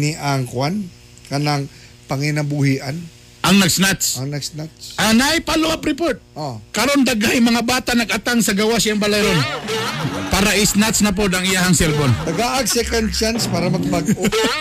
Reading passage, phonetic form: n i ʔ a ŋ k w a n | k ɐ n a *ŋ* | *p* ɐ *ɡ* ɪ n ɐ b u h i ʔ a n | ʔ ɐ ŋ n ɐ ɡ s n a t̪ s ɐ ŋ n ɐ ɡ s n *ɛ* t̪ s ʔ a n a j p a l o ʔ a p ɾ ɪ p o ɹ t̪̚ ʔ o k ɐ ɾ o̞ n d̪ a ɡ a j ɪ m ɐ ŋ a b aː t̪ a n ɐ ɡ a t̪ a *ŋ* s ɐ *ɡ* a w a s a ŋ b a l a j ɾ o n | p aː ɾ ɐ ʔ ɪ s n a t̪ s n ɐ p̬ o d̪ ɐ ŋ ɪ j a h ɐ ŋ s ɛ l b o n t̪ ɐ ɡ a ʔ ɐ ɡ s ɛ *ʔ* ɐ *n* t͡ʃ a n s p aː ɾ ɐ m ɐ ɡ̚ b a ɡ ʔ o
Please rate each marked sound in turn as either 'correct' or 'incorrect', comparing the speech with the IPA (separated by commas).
correct, correct, incorrect, incorrect, correct, correct, incorrect, correct